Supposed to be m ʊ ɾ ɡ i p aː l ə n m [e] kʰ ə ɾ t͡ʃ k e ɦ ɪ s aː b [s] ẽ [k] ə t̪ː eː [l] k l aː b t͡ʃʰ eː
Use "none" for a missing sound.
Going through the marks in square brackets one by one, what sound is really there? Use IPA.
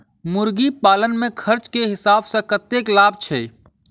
ẽ, s, k, none

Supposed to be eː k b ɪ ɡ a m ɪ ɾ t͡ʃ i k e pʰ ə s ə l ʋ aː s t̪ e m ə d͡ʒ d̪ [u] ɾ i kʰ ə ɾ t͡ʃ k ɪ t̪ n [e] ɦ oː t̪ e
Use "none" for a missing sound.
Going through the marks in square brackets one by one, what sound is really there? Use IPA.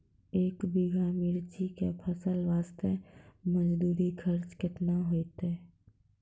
uː, a

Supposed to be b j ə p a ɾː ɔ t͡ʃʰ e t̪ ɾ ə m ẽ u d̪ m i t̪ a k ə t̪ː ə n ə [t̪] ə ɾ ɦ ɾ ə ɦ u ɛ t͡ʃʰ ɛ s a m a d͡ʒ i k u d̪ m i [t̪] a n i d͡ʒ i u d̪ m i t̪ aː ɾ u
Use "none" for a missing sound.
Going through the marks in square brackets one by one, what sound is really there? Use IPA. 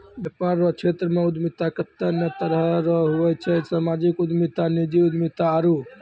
t̪, t̪

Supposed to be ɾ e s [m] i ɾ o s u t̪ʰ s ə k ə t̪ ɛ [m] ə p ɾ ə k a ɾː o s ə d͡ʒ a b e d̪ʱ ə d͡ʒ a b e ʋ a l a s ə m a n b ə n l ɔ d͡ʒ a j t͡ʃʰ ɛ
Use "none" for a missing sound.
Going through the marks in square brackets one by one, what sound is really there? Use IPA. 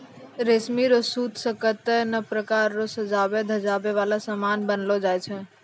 m, n

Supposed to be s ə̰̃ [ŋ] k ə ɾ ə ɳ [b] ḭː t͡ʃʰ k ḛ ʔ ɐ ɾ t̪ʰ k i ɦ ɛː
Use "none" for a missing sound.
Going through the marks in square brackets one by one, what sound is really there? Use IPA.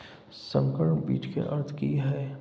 ŋ, b

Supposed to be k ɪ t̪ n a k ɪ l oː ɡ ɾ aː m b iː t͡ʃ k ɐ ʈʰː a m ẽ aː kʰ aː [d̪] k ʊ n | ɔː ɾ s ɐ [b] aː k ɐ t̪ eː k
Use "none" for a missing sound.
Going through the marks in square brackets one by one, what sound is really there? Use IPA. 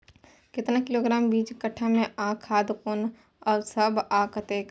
d̪, b

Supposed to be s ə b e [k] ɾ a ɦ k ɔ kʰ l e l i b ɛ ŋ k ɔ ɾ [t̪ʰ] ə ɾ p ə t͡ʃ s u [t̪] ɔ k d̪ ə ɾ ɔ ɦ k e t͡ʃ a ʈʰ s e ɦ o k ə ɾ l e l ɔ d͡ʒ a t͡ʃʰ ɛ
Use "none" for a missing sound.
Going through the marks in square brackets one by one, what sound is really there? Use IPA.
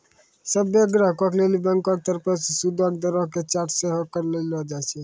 ɡ, t̪, d̪

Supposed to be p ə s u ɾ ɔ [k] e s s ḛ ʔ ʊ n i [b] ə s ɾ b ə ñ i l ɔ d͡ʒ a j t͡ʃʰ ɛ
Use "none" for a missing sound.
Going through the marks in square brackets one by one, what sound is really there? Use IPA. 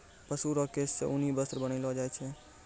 k, b

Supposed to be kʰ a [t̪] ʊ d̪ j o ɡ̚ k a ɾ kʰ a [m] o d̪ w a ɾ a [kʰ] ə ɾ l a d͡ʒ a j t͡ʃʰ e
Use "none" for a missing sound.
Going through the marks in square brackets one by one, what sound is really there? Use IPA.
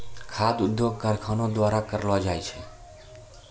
d̪, n, k

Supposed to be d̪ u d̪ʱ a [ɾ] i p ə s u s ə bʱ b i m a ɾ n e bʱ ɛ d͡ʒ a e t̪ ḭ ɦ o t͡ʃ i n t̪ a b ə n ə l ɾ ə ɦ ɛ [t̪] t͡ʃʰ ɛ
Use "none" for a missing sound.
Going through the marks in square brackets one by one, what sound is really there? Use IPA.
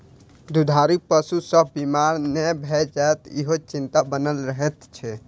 ɾ, t̪

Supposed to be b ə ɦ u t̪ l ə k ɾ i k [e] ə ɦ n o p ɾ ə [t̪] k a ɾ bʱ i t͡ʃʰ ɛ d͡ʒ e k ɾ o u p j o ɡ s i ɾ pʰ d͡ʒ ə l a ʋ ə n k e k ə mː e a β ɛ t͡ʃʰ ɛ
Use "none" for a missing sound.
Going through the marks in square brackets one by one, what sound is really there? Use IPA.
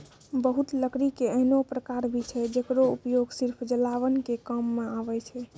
e, none

